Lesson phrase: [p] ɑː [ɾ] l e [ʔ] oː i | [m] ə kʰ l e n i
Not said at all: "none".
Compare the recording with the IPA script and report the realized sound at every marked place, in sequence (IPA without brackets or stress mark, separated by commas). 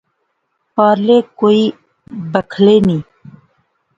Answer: p, ɾ, k, b